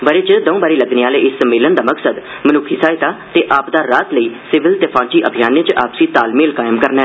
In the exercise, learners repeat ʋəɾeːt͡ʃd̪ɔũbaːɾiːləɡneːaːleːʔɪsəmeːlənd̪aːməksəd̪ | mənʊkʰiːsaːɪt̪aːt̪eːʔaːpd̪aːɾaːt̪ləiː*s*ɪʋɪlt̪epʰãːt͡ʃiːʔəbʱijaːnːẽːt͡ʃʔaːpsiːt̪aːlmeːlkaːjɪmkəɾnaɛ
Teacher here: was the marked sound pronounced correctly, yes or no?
yes